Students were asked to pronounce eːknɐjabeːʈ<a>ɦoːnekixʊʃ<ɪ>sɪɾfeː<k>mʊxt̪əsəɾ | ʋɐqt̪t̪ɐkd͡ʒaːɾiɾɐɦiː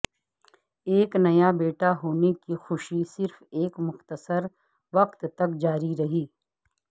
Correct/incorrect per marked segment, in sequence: correct, incorrect, correct

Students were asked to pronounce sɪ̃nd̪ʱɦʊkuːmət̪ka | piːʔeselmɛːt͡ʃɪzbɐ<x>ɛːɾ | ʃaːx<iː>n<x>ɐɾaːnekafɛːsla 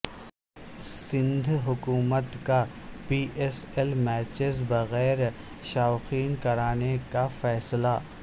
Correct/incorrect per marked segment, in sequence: incorrect, correct, incorrect

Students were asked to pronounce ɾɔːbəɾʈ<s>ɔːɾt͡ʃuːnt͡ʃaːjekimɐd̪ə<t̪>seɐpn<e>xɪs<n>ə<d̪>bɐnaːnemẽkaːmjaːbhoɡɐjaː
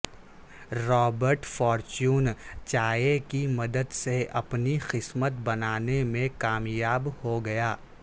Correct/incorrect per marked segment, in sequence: incorrect, incorrect, incorrect, incorrect, incorrect

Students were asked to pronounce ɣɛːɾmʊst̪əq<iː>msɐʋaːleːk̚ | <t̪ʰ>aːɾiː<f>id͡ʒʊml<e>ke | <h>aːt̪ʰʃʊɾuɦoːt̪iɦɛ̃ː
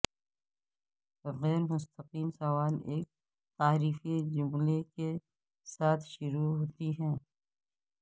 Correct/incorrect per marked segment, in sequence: correct, incorrect, correct, correct, incorrect

